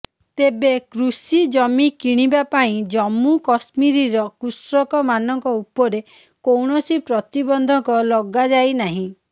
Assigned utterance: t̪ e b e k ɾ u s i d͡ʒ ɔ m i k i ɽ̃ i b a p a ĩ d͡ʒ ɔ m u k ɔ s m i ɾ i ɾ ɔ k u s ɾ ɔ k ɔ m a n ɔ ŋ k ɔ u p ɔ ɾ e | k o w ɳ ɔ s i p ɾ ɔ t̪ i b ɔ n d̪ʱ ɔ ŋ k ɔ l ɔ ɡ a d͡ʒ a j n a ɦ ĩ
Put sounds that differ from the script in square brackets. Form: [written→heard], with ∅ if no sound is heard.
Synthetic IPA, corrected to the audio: t̪ e b e k ɾ u s i d͡ʒ ɔ m i k i ɽ̃ i b a p a ĩ d͡ʒ ɔ m u k ɔ s m i ɾ i ɾ ɔ k u s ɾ ɔ k ɔ m a n ɔ ŋ k ɔ u p ɔ ɾ e | k o w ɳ ɔ s i p ɾ ɔ t̪ i b ɔ n d̪ʱ ɔ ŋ k ɔ l ɔ ɡ a d͡ʒ a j n a ɦ ĩ